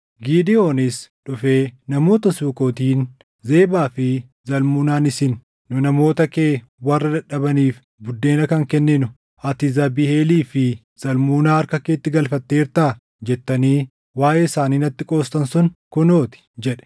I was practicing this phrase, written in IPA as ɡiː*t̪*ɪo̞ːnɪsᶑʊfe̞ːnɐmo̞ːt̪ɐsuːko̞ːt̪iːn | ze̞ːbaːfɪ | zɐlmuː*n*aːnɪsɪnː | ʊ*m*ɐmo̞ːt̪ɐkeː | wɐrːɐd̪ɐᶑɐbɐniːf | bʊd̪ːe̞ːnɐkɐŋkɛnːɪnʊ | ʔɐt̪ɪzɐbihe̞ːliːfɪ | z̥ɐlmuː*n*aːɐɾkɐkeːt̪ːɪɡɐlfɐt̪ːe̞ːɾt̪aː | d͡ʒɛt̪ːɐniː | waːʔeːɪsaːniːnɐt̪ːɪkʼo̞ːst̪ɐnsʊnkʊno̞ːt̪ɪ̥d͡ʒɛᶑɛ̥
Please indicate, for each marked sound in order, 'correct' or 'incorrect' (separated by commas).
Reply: incorrect, correct, incorrect, correct